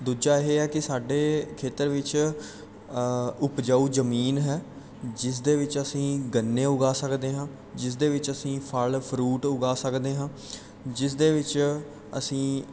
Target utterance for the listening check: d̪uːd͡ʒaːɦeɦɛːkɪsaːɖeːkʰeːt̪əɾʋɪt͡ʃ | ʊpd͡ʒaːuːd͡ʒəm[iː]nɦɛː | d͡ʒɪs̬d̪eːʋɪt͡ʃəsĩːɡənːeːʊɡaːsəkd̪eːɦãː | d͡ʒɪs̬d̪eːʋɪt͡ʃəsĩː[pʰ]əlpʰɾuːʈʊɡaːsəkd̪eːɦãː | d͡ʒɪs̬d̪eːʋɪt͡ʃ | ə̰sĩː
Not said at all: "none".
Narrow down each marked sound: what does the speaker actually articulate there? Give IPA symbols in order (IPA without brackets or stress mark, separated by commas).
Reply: iː, pʰ